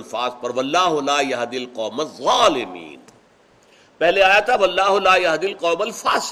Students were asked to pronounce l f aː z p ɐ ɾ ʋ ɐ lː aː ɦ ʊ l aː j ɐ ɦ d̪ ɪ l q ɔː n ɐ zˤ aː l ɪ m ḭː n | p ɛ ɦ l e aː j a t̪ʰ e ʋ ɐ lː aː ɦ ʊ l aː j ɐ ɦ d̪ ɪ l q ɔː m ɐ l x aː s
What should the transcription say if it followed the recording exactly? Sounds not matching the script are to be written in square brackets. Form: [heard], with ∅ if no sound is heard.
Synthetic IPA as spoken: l f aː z p ɐ ɾ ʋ ɐ lː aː ɦ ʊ l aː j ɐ ɦ d̪ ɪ l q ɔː [m] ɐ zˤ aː l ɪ m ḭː n | p ɛ ɦ l e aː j a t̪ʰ [a] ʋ ɐ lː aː ɦ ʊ l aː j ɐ ɦ d̪ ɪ l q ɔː m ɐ l [f] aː s